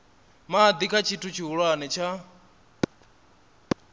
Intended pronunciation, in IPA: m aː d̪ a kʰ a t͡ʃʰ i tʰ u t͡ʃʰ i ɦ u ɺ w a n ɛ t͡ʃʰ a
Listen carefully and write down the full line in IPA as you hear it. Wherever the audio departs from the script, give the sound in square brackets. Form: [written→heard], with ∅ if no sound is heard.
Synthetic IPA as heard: m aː d̪ [a→i] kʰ a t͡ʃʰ i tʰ u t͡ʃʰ i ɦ u ɺ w a n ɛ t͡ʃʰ a